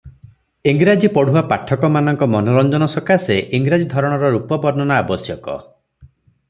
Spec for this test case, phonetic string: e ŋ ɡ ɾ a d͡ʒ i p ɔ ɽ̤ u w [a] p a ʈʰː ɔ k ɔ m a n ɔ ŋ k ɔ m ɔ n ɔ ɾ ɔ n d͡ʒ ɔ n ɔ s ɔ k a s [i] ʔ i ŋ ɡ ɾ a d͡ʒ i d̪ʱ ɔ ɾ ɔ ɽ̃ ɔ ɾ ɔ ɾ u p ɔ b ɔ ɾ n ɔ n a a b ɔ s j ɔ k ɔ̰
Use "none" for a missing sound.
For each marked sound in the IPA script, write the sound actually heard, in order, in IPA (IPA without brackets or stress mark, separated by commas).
a, e